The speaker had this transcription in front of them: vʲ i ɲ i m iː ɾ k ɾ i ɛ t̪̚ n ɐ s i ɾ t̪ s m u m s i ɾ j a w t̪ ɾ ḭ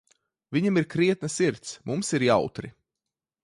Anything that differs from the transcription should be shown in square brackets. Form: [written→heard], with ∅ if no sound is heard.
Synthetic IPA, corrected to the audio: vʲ i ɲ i m [iː→i] ɾ k ɾ i ɛ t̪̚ n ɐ s i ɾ t̪ s m u m s i ɾ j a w t̪ ɾ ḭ